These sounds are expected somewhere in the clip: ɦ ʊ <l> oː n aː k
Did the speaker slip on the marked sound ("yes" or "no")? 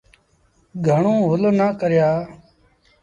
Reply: no